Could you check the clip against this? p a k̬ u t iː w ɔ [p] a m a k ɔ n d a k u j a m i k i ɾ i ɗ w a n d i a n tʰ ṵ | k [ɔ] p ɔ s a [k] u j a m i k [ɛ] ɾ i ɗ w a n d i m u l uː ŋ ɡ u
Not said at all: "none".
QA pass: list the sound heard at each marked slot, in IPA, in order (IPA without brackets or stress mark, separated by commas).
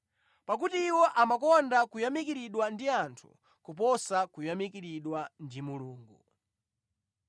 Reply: ʔ, u, k, i